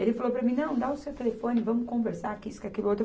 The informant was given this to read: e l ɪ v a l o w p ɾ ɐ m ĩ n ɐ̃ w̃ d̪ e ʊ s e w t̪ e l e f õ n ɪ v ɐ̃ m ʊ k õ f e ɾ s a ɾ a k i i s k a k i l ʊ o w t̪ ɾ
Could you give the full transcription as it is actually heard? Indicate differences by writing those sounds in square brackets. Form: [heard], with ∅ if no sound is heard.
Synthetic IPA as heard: e l ɪ [f] a l o w p ɾ ɐ m ĩ n ɐ̃ w̃ d̪ [a] ʊ s e w t̪ e l e f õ n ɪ v ɐ̃ m ʊ k õ [v] e ɾ s a ɾ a k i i s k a k i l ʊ o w t̪ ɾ